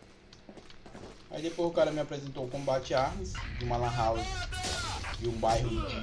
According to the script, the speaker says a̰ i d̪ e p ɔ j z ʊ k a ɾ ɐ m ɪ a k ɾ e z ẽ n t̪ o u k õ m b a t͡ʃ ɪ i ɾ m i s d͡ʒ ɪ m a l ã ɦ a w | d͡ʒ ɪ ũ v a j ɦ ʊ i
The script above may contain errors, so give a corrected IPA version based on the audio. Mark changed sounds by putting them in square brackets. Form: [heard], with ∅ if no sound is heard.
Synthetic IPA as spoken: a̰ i d̪ e p [o] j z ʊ k a ɾ ɐ m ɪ a [p] ɾ e z ẽ n t̪ o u k õ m b a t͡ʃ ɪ [a] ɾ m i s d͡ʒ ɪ m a l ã ɦ a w | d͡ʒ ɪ ũ [b] a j ɦ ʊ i